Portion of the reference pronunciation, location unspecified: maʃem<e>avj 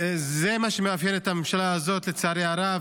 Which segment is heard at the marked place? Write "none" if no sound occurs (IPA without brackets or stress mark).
e